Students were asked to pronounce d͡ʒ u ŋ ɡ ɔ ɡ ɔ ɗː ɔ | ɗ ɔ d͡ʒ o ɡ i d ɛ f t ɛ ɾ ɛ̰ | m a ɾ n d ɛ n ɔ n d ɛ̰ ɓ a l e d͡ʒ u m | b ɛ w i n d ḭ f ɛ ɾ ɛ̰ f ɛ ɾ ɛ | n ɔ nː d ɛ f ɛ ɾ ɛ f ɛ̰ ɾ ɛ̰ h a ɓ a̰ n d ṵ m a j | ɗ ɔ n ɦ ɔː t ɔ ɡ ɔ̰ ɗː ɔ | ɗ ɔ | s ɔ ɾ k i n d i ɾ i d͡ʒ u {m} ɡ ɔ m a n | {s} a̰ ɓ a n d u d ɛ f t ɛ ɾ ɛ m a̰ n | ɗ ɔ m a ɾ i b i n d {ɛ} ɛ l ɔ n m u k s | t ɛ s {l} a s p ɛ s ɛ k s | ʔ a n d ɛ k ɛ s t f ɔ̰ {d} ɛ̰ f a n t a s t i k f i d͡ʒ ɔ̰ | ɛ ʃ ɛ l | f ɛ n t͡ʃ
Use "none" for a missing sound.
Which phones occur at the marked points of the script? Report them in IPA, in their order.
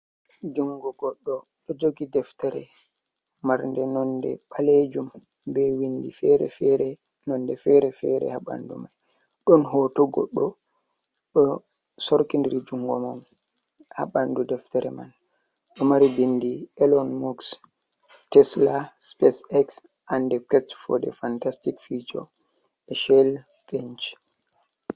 ŋ, h, i, l, d

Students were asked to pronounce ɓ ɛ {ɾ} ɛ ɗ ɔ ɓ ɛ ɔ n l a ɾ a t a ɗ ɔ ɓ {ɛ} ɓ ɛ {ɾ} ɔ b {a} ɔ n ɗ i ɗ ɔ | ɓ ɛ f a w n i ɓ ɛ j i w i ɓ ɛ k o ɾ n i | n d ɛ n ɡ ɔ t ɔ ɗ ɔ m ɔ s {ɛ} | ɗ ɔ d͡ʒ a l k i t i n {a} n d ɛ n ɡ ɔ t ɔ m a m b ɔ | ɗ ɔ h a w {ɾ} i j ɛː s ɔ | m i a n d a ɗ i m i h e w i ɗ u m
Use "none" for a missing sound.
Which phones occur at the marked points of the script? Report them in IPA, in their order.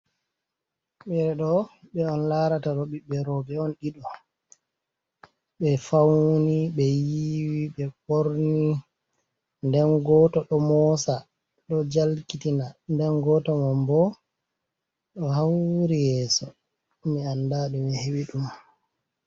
ɾ, i, ɾ, ɛ, a, a, ɾ

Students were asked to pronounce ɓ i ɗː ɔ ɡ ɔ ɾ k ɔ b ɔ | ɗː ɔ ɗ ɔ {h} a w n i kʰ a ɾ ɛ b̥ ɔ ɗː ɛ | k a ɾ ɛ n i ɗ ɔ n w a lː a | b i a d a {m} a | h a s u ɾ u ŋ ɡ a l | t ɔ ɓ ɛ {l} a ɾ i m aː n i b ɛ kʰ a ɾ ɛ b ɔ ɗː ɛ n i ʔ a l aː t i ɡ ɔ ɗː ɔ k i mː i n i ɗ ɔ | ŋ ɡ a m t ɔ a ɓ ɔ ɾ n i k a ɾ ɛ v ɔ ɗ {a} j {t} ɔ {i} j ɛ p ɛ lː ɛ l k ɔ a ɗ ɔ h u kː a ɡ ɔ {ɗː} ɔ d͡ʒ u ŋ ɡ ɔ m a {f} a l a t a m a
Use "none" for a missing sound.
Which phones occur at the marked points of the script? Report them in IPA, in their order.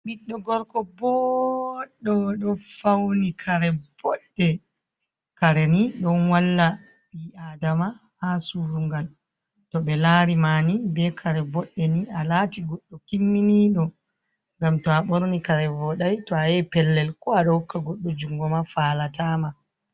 f, m, l, a, t, a, ɗː, f

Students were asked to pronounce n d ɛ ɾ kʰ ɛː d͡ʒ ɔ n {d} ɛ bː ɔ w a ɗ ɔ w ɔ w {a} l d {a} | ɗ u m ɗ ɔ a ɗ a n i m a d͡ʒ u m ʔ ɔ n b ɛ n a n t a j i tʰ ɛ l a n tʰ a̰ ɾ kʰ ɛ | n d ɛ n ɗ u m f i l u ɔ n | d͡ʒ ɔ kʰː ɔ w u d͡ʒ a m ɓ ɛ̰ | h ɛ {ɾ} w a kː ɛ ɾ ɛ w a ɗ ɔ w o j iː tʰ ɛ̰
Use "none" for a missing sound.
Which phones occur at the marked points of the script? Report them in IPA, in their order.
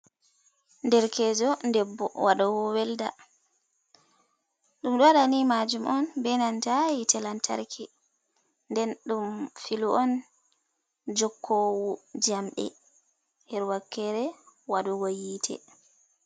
d, ɛ, a, ɾ

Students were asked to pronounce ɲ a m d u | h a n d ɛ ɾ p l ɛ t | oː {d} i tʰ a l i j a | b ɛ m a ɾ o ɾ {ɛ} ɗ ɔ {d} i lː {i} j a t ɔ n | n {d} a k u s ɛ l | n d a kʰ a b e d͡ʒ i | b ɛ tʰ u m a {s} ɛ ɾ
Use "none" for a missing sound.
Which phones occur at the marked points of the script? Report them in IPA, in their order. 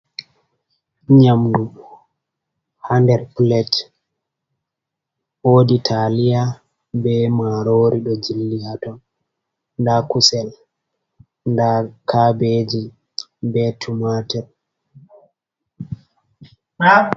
d, i, d͡ʒ, i, d, t

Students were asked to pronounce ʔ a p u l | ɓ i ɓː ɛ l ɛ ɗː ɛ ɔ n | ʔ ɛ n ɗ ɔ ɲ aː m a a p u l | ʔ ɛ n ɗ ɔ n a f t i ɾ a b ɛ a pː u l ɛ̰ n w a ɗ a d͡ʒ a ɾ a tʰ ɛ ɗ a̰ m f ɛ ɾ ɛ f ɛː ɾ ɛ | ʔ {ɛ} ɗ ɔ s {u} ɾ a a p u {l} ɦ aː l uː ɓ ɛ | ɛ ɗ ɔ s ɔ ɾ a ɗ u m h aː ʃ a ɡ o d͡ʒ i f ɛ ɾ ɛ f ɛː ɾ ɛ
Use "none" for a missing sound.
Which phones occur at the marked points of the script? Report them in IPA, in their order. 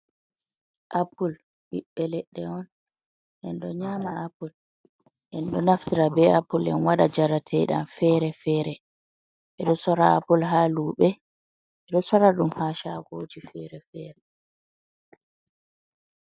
ɛ, ɔ, l

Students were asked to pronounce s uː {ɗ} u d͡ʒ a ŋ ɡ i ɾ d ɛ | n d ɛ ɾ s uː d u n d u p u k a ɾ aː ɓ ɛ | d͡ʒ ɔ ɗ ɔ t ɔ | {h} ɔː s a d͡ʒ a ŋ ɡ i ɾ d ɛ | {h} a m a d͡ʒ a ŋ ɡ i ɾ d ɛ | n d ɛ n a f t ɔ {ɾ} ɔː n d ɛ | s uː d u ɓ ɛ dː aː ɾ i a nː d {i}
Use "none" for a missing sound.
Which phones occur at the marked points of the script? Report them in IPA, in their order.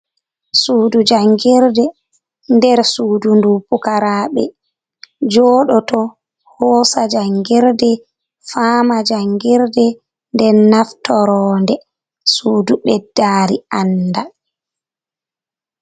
d, h, f, ɾ, a

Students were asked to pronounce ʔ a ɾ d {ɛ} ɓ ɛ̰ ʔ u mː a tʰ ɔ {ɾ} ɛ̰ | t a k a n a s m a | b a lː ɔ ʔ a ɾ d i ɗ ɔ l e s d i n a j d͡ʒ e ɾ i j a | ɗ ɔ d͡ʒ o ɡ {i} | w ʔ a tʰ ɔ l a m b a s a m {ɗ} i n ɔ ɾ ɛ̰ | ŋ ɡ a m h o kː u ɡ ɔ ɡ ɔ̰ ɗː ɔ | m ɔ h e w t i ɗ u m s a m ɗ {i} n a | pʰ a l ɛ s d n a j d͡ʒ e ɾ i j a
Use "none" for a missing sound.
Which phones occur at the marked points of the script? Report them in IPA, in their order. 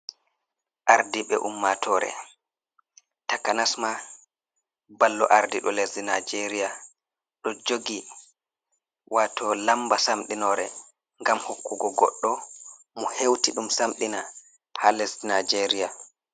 i, ɾ, i, ɗ, i

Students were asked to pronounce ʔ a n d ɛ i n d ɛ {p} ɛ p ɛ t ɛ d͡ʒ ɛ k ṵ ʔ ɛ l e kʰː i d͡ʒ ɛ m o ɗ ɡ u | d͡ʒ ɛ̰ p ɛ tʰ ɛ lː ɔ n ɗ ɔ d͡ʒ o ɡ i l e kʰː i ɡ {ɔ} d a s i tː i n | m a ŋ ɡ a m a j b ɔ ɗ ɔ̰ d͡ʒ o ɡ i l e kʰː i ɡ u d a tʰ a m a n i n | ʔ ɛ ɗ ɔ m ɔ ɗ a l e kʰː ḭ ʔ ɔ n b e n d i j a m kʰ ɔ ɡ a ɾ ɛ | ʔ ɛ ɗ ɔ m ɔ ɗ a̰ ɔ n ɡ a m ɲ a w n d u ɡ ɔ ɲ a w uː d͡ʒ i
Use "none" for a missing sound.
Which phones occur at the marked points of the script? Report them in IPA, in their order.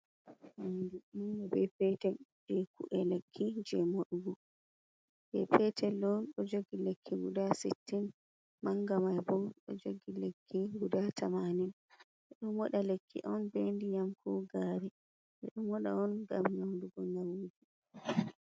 b, u

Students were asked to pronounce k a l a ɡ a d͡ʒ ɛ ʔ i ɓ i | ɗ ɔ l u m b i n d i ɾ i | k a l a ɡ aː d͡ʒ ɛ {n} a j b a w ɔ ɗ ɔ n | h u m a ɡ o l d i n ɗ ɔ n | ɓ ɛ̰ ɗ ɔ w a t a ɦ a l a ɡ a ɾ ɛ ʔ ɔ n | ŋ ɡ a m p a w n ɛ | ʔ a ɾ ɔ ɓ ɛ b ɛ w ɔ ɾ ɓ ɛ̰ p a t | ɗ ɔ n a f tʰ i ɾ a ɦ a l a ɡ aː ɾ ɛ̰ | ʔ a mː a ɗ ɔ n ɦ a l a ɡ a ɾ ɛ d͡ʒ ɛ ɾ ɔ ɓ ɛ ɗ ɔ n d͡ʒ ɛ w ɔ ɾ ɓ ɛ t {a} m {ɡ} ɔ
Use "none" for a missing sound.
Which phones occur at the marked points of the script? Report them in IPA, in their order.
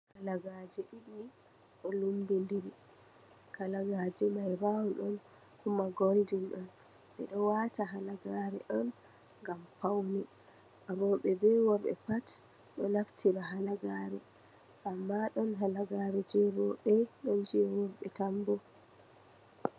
m, a, b

